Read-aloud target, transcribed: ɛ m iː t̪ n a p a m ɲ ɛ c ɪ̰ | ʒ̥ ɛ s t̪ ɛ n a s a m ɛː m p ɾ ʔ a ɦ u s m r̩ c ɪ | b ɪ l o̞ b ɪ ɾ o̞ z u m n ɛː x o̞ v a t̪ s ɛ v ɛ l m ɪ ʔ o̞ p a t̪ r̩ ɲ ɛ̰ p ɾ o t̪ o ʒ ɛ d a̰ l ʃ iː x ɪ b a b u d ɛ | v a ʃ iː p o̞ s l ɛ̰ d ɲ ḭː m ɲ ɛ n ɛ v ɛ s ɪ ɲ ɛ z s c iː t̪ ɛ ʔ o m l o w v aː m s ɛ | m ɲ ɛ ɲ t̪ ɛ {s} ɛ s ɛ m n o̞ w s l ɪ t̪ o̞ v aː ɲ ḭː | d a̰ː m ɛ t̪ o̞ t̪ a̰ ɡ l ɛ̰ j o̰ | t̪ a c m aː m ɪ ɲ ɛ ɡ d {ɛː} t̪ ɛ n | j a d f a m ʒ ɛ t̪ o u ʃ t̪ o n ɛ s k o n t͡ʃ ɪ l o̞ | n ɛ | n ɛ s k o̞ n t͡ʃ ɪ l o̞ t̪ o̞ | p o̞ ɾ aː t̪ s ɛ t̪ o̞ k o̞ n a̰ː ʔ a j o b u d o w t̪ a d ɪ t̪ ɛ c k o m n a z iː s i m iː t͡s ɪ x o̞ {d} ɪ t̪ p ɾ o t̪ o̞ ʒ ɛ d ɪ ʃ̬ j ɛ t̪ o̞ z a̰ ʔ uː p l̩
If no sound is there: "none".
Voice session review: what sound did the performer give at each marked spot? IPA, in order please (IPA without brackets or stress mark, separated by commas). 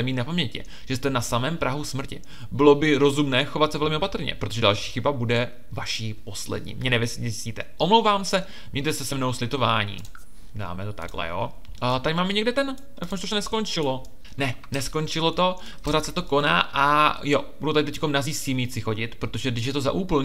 s, ɛ, ɟ